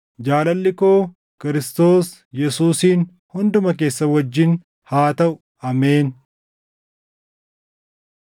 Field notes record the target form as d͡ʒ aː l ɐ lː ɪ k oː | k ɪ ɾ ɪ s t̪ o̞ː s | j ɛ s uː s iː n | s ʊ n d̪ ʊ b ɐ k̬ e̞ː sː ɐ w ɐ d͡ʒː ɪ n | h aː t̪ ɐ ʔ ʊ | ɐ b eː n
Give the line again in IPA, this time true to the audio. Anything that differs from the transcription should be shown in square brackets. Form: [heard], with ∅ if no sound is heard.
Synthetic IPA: d͡ʒ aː l ɐ lː ɪ k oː | k ɪ ɾ ɪ s t̪ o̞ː s | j ɛ s uː s iː n | [h] ʊ n d̪ ʊ [m] ɐ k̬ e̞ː sː ɐ w ɐ d͡ʒː ɪ n | h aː t̪ ɐ ʔ ʊ | ɐ [m] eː n